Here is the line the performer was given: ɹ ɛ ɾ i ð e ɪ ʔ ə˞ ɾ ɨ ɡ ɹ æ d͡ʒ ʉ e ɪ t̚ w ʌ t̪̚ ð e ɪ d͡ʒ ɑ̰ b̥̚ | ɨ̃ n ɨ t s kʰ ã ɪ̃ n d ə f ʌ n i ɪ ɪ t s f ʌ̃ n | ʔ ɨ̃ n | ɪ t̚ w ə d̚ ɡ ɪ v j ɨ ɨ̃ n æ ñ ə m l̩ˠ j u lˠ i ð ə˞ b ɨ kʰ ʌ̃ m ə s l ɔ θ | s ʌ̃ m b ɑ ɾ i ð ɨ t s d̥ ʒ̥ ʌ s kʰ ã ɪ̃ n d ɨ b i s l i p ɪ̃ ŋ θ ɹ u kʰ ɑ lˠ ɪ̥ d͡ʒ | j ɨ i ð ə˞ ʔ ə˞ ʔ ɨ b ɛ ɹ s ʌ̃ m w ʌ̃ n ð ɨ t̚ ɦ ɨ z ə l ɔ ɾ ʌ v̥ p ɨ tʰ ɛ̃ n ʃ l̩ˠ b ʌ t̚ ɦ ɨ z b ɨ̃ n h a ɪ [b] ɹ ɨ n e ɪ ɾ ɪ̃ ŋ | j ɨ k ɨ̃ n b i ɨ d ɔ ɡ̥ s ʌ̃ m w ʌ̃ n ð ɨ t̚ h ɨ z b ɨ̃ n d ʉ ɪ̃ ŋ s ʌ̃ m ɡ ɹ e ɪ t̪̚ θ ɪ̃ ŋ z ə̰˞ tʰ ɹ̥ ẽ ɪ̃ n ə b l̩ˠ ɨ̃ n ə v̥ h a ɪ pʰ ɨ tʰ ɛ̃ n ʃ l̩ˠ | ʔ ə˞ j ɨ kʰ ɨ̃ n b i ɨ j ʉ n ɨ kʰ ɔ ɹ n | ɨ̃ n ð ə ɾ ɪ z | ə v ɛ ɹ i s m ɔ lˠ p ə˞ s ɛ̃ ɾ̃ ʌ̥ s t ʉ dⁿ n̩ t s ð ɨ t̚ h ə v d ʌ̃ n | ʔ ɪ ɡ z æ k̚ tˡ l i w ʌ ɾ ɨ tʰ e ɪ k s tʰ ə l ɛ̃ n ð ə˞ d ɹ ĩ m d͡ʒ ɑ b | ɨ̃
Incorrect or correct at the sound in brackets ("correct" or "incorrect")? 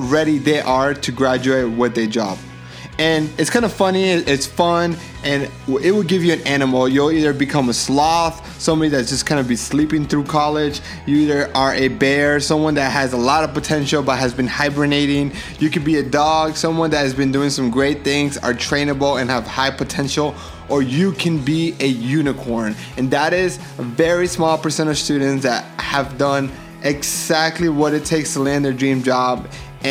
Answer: correct